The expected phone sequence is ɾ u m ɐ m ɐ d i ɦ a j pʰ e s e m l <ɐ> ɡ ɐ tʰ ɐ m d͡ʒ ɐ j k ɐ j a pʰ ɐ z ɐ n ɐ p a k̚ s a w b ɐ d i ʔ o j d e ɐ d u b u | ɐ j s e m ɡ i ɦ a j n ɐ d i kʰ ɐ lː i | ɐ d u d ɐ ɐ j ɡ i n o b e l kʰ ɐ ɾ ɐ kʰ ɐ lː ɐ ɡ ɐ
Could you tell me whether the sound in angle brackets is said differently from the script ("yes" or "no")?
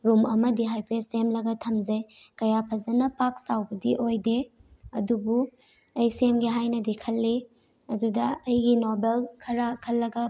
no